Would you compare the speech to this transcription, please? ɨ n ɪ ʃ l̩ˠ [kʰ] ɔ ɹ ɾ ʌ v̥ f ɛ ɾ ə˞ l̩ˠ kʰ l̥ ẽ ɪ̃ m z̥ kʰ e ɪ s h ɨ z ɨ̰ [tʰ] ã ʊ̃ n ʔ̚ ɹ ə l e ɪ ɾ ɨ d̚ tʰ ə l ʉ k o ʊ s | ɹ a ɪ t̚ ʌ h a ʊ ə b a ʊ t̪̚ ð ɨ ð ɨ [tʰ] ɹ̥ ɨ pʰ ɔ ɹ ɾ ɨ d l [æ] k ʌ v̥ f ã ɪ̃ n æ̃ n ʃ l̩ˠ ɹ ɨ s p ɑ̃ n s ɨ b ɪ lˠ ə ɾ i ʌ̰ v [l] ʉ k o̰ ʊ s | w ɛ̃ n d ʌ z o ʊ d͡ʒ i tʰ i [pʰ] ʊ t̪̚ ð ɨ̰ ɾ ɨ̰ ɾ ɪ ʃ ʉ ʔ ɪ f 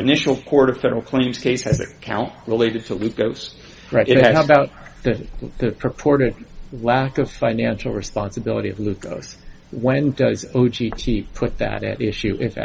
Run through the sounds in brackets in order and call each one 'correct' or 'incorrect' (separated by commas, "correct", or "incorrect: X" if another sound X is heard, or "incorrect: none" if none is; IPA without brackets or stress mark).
correct, incorrect: kʰ, incorrect: pʰ, correct, correct, correct